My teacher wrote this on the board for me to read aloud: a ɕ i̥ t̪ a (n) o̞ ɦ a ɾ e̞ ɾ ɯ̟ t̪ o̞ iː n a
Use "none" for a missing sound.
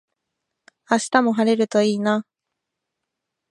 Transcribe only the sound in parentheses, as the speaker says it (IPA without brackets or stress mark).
m